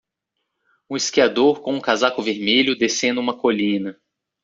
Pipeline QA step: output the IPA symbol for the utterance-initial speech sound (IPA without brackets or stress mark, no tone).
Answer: ũ